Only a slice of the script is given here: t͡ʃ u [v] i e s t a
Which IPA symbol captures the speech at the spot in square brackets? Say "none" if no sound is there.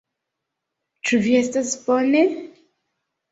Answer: v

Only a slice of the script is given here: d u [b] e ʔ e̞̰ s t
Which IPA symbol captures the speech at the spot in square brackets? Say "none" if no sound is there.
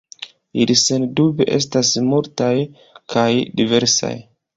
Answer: b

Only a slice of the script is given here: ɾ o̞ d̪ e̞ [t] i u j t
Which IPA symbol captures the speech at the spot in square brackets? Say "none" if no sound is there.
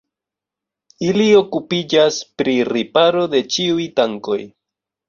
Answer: t͡ʃ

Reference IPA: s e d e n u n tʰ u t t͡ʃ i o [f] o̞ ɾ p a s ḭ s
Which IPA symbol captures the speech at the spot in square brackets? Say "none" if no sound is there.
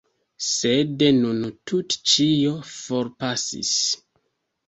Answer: f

